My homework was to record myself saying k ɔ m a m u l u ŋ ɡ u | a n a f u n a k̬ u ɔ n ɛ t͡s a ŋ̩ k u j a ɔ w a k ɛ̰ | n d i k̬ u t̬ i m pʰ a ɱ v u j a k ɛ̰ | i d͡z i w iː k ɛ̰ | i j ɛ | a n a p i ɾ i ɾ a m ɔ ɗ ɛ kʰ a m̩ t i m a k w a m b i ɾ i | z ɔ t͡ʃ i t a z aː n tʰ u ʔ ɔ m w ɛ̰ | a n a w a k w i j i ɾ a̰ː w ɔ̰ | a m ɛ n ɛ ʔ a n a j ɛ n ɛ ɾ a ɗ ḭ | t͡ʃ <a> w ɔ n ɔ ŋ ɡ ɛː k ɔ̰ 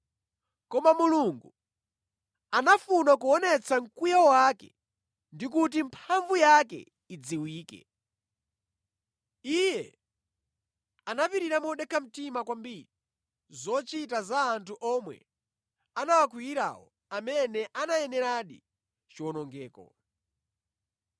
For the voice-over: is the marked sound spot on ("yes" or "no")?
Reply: no